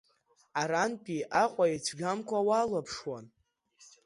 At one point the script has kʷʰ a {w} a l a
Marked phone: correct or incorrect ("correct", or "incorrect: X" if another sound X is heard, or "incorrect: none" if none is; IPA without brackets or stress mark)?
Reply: correct